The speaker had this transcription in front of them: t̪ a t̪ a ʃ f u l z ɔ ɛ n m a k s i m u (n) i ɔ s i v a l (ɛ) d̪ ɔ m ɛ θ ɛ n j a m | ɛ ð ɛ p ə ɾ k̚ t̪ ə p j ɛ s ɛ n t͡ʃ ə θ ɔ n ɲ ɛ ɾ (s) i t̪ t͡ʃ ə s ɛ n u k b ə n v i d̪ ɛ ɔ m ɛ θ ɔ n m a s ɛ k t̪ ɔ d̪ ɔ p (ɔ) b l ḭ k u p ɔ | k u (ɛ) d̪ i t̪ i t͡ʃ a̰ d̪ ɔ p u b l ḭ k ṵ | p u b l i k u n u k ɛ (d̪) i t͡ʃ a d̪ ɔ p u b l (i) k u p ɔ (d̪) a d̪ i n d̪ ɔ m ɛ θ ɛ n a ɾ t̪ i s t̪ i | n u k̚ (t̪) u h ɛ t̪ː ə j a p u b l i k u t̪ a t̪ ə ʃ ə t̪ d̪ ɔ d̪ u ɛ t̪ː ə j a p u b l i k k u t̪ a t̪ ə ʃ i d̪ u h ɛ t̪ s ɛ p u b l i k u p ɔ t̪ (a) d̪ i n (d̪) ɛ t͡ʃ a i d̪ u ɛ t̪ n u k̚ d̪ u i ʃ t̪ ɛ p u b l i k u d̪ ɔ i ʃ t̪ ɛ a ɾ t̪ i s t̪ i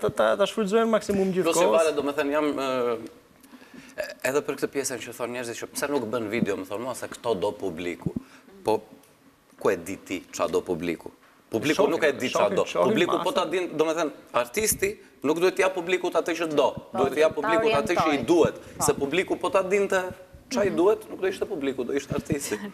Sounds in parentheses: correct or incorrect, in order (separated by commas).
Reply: incorrect, correct, incorrect, incorrect, correct, correct, correct, incorrect, incorrect, correct, incorrect